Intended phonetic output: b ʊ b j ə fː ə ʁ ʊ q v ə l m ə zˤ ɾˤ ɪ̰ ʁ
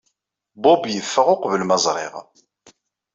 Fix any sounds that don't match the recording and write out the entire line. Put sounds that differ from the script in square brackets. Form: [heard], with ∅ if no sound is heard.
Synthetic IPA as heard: b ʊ b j ə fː ə ʁ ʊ q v ə l m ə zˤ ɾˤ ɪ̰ ʁ